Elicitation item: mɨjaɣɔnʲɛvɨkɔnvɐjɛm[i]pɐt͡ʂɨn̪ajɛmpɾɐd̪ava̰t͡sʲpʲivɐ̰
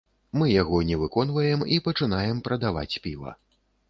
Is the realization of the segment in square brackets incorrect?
no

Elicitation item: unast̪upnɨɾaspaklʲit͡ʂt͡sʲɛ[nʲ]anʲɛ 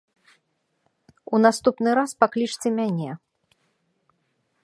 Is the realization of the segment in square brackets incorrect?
yes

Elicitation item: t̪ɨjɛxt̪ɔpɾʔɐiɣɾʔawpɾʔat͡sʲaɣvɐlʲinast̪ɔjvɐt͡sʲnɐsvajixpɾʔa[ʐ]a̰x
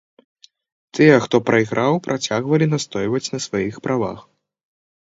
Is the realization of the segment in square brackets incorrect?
yes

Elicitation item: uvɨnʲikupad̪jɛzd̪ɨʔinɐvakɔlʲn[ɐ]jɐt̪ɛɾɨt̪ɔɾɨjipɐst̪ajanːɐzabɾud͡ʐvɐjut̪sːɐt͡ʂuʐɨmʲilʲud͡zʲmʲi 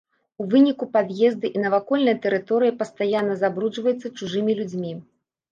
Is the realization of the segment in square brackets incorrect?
no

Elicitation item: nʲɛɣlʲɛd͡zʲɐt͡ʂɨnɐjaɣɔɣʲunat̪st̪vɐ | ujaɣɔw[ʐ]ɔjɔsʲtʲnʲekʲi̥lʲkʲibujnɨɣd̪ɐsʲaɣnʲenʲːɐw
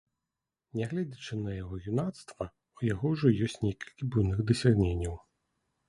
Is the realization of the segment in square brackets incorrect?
no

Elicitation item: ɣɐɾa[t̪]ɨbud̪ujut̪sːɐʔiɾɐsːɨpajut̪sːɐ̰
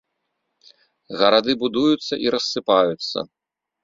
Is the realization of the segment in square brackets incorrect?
yes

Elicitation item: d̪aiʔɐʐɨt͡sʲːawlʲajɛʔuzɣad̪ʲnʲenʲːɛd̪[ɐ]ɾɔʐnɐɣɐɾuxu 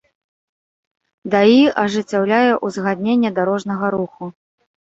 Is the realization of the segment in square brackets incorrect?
yes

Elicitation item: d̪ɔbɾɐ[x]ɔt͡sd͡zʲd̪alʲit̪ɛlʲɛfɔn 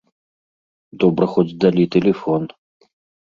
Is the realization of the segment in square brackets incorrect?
no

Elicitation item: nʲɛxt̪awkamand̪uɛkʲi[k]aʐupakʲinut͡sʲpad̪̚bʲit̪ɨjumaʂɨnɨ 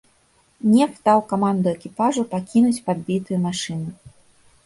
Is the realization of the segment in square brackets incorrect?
yes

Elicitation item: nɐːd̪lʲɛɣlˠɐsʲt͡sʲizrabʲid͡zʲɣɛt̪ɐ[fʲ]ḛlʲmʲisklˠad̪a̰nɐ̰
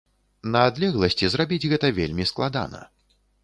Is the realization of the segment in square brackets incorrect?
yes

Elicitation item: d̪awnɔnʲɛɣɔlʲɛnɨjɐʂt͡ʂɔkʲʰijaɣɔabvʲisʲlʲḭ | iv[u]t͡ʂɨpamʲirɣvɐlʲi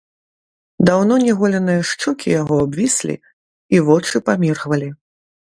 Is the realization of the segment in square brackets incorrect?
yes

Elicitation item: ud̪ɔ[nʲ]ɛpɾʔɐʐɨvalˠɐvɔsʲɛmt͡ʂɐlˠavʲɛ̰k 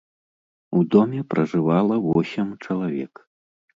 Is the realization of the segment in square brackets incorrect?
yes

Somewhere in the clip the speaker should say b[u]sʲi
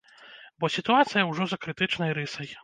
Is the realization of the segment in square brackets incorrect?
yes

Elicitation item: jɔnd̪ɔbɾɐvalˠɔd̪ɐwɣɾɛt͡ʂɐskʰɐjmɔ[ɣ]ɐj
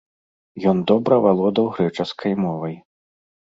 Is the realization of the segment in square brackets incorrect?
yes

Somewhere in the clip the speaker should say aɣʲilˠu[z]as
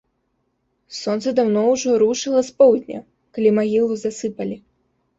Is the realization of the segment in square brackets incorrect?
no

